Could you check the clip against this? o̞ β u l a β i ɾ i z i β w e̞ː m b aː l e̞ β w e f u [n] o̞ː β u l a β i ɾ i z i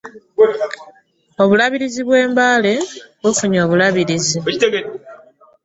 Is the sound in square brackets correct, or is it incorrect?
incorrect